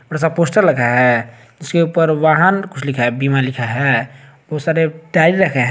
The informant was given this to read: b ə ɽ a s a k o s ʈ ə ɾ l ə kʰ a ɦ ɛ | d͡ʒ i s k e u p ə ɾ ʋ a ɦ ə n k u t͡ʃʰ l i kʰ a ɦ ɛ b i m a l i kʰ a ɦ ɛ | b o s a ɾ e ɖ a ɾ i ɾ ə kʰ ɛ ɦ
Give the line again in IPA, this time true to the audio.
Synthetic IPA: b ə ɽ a s a p o s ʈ ə ɾ l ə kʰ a ɦ ɛ | d͡ʒ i s k e u p ə ɾ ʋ a ɦ ə n k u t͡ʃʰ l i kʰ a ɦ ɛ b i m a l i kʰ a ɦ ɛ | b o s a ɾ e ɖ a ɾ i ɾ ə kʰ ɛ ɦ